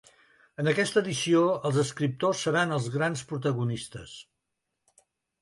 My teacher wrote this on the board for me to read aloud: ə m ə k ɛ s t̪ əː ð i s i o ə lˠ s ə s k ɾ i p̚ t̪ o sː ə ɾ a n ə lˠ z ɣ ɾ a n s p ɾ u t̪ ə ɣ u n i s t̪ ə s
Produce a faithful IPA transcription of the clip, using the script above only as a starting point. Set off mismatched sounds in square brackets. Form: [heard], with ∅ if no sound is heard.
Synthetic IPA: ə [n] ə k ɛ s t̪ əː ð i s i o ə lˠ [z] ə s k ɾ i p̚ t̪ o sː ə ɾ a n ə lˠ z ɣ ɾ a n s p ɾ u t̪ ə ɣ u n i s t̪ ə s